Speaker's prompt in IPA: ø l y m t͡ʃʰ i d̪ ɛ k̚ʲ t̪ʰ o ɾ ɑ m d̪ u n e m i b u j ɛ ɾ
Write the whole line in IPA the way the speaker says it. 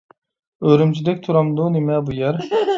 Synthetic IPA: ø ɾ y m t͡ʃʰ i d̪ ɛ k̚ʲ t̪ʰ u ɾ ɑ m d̪ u n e m ɛ b u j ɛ ɾ